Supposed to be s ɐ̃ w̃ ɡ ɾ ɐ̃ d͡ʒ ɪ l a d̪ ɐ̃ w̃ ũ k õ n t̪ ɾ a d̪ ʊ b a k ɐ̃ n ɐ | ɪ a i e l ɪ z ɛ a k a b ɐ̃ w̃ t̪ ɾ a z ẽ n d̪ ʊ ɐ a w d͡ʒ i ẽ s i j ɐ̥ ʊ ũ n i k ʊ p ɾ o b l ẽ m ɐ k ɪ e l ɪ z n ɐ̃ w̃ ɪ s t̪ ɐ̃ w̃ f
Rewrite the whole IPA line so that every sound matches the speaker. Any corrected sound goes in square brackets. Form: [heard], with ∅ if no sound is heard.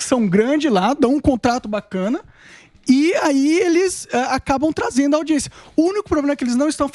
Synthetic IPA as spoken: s ɐ̃ w̃ ɡ ɾ ɐ̃ d͡ʒ ɪ l a d̪ ɐ̃ w̃ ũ k õ n t̪ ɾ a [t̪] ʊ b a k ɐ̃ n ɐ | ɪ a i e l ɪ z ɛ a k a b ɐ̃ w̃ t̪ ɾ a z ẽ n d̪ ʊ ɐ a w d͡ʒ i ẽ s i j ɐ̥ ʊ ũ n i k ʊ p ɾ o b l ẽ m ɐ k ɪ e l ɪ z n ɐ̃ w̃ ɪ s t̪ ɐ̃ w̃ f